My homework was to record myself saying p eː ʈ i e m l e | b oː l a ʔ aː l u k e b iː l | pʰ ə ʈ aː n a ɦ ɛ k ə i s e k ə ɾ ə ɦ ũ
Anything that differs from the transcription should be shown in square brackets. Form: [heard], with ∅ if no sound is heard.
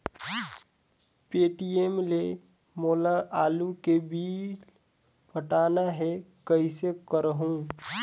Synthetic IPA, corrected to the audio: p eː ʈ i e m l e | [m] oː l a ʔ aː l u k e b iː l | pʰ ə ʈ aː n a ɦ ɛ k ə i s e k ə ɾ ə ɦ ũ